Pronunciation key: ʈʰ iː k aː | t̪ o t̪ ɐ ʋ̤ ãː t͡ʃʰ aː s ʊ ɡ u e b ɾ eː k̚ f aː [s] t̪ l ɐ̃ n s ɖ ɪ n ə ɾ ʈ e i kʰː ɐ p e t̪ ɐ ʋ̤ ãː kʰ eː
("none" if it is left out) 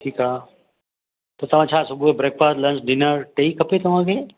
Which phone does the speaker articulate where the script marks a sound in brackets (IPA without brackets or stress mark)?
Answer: s